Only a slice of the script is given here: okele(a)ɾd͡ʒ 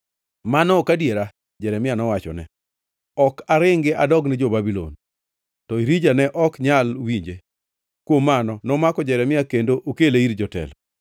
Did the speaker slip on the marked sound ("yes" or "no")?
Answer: yes